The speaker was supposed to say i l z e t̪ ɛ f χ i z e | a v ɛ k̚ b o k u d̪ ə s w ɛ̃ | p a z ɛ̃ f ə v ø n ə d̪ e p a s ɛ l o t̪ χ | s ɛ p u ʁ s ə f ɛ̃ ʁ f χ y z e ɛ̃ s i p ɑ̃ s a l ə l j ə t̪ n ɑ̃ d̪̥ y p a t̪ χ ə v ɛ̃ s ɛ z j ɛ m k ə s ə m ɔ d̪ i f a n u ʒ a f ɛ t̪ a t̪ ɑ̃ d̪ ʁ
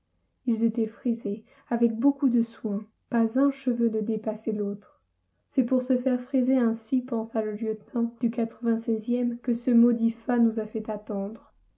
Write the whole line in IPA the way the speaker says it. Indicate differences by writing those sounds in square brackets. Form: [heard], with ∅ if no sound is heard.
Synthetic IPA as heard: i l z e t̪ ɛ f χ i z e | a v ɛ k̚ b o k u d̪ ə s w ɛ̃ | p a z ɛ̃ [ʃ] ə v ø n ə d̪ e p a s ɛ l o t̪ χ | s ɛ p u ʁ s ə f [ɛ] ʁ f χ [i] z e ɛ̃ s i p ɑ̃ s a l ə l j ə t̪ n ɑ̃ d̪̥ y [k] a t̪ χ ə v ɛ̃ s ɛ z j ɛ m k ə s ə m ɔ d̪ i f a n u [z] a f ɛ t̪ a t̪ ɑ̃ d̪ ʁ